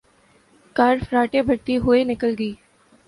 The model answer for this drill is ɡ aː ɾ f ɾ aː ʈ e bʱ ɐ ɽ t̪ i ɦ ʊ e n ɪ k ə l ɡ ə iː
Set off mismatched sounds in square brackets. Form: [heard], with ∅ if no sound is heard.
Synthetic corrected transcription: [k] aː ɾ f ɾ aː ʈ e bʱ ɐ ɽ t̪ i ɦ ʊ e n ɪ k ə l ɡ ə iː